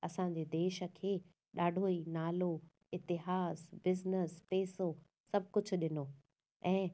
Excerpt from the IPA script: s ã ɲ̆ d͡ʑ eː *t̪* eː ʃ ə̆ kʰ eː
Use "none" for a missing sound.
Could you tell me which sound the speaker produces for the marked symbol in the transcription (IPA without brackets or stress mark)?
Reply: d̪